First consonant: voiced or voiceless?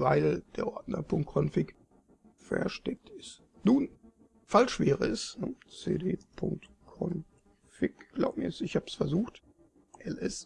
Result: voiced